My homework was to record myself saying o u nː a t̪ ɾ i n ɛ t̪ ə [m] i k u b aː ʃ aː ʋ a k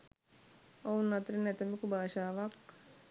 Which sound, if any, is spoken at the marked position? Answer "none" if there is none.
m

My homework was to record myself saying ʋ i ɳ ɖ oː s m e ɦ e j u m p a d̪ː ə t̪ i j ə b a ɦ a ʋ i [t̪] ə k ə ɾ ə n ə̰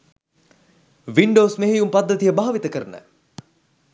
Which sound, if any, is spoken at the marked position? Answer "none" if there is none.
t̪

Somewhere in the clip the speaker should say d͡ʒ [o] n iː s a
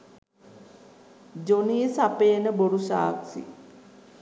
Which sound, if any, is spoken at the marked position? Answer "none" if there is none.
o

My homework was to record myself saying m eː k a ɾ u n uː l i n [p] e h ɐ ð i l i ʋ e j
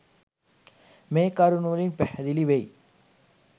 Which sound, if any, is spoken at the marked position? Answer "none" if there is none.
p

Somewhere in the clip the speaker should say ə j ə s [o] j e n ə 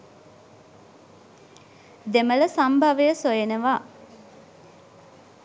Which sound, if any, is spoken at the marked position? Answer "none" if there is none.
o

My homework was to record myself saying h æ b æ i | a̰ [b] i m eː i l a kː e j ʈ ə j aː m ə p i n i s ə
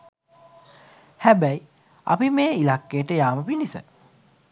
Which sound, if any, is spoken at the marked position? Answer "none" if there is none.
p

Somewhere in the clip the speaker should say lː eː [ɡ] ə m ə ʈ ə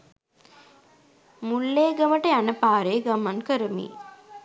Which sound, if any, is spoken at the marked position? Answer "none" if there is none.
ɡ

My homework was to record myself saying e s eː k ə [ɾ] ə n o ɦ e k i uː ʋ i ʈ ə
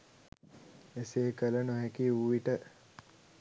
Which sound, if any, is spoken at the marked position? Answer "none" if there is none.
l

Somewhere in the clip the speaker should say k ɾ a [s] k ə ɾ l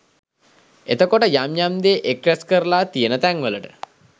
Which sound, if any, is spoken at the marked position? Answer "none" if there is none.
s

